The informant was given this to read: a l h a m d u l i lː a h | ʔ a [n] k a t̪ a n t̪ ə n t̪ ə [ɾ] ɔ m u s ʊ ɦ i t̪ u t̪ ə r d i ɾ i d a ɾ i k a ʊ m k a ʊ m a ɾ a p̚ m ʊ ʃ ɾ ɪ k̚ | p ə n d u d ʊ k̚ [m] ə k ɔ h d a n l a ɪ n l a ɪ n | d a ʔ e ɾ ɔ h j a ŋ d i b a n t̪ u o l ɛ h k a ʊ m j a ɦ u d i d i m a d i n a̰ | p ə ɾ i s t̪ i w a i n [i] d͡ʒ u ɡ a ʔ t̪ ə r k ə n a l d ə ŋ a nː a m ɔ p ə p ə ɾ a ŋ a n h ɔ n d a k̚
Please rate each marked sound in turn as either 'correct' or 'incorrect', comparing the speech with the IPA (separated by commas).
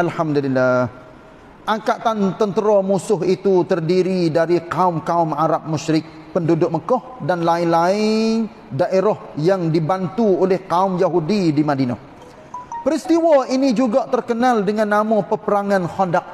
incorrect, correct, correct, correct